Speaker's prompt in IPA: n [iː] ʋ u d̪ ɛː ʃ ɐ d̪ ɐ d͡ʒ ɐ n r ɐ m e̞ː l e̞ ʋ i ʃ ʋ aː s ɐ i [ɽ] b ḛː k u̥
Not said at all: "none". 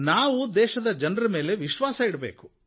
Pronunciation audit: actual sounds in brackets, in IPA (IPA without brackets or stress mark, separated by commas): aː, ɽ